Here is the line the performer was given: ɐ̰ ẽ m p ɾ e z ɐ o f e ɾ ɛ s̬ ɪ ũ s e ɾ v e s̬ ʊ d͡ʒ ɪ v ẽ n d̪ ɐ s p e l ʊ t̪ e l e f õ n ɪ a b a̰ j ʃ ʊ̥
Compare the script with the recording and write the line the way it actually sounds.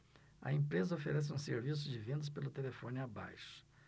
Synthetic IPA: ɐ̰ ẽ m p ɾ e z ɐ o f e ɾ ɛ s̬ ɪ ũ s e ɾ v i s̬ ʊ d͡ʒ ɪ v ẽ n d̪ ɐ s p e l ʊ t̪ e l e f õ n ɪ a b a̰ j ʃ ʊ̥